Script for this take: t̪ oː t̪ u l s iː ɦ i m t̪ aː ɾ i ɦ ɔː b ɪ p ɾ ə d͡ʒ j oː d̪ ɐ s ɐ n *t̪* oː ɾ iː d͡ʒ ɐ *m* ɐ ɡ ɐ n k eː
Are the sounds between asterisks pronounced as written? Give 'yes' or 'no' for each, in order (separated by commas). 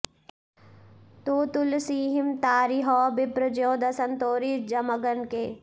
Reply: yes, yes